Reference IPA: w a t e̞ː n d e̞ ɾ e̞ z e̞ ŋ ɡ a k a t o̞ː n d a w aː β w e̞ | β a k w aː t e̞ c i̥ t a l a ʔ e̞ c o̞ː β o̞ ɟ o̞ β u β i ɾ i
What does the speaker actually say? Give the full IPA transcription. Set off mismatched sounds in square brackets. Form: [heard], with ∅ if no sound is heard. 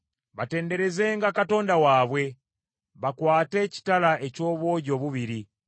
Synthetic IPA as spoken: [β] a t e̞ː n d e̞ ɾ e̞ z e̞ ŋ ɡ a k a t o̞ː n d a w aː β w e̞ | β a k w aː t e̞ c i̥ t a l a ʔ e̞ c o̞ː β o̞ ɟ o̞ β u β i ɾ i